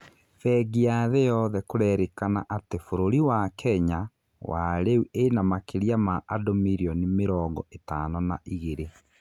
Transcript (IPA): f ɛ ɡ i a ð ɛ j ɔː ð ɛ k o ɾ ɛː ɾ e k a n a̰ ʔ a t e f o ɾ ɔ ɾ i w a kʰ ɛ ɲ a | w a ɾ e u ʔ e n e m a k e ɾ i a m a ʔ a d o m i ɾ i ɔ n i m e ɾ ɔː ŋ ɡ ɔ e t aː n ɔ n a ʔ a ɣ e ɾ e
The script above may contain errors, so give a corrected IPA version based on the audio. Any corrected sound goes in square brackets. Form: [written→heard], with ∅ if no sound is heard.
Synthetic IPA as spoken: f ɛ ɡ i a ð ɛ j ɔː ð ɛ k o ɾ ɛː ɾ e k a n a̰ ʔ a t e f o ɾ [ɔ→o] ɾ i w a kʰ ɛ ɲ a | w a ɾ e u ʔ e n [e→a] m a k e ɾ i a m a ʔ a d o m i ɾ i ɔ n i m e ɾ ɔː ŋ ɡ ɔ e t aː n ɔ n a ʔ [a→i] ɣ e ɾ e